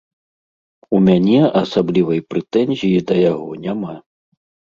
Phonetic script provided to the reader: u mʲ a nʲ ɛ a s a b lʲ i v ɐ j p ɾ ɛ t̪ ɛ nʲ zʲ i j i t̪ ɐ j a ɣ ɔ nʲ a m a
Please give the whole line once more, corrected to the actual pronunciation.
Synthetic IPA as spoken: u mʲ a nʲ ɛ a s a b lʲ i v ɐ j p ɾ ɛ t̪ ɛ nʲ zʲ i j i d̪ ɐ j a ɣ ɔ nʲ a m a